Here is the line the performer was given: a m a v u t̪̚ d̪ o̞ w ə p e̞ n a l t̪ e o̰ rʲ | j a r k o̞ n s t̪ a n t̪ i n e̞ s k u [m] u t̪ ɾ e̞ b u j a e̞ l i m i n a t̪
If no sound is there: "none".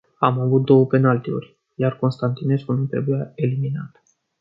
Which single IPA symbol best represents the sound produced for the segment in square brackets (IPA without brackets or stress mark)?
n